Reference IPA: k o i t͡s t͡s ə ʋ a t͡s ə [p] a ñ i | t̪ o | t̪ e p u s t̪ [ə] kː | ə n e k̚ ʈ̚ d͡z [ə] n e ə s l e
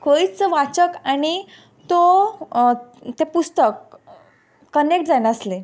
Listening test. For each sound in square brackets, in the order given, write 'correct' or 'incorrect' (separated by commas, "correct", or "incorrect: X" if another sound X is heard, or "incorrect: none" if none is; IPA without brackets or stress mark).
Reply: incorrect: k, correct, incorrect: a